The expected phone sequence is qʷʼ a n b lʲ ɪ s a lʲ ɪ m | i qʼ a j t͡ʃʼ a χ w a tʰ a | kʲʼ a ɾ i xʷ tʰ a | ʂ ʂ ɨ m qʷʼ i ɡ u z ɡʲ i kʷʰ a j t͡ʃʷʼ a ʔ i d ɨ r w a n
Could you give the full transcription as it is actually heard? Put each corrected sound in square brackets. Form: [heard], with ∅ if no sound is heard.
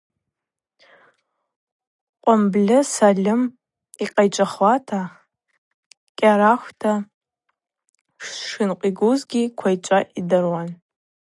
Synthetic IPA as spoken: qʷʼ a [m] b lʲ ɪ s a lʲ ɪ m | i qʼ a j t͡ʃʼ a χ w a tʰ a | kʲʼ a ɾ [a] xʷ tʰ a | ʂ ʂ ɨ [n] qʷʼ i ɡ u z ɡʲ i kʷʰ a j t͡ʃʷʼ a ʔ i d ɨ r w a n